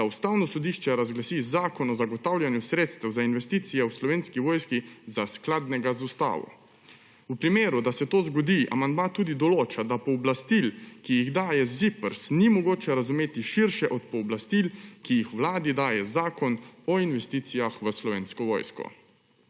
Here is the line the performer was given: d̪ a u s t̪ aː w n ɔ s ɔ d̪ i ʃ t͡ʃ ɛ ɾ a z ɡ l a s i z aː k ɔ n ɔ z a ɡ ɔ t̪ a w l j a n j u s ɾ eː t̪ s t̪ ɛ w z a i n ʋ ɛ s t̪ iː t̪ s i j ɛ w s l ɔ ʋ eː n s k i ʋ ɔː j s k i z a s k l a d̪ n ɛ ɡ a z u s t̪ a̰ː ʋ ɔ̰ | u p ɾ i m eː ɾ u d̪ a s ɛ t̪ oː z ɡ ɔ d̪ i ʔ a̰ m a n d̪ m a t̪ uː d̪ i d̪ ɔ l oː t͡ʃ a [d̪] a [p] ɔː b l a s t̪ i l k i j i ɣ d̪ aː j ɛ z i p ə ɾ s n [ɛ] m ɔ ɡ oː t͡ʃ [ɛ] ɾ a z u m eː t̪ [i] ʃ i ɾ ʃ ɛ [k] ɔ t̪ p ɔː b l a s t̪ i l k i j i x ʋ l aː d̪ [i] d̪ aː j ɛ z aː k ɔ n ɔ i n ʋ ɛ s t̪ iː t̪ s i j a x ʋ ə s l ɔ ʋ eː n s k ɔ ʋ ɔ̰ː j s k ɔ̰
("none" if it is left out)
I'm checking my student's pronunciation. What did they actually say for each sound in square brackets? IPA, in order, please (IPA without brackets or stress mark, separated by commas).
d̪, p, i, ɛ, i, ʔ, i